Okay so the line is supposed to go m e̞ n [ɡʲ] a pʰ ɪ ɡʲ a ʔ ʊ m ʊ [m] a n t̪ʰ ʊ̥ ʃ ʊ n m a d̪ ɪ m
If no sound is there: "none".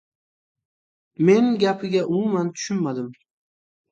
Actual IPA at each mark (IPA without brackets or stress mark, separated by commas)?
ɡʲ, m